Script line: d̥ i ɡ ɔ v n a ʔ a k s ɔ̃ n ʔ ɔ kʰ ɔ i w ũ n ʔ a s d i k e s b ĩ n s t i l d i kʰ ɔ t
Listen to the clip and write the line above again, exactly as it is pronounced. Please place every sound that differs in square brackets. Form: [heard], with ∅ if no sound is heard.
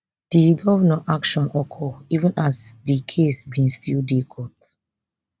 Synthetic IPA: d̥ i ɡ ɔ v n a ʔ a k [ʃ] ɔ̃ n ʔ ɔ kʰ ɔ i [v] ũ n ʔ a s d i [kʰ] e s b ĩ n s t i l d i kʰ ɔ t